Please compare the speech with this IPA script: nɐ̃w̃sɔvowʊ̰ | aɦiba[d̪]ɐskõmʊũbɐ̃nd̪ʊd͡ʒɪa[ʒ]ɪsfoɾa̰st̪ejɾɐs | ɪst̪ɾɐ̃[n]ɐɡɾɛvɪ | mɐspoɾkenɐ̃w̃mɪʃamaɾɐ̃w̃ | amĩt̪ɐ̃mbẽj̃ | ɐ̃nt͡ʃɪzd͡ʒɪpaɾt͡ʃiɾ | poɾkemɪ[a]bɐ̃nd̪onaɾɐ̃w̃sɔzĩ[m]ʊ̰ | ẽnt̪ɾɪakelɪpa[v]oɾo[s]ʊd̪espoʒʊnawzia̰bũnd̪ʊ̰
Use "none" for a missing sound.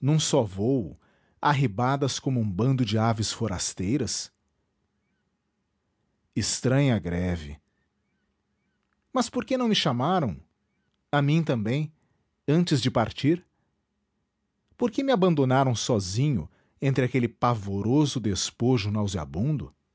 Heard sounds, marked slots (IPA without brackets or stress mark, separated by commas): d̪, v, ɲ, a, ɲ, v, z